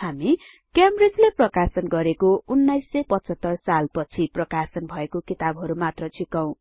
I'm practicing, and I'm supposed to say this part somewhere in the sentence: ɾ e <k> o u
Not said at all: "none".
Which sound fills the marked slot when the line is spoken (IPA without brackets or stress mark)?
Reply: k